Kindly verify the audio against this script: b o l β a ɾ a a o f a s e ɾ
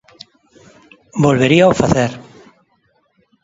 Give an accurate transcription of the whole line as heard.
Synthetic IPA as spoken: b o l β e ɾ i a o f a θ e ɾ